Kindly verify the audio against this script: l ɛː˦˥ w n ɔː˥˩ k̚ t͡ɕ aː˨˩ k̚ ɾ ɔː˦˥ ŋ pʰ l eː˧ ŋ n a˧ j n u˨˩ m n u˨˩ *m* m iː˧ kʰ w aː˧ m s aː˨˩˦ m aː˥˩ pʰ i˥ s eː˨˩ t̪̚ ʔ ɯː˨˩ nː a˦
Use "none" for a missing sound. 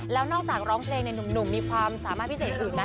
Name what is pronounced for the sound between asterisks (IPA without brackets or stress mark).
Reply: m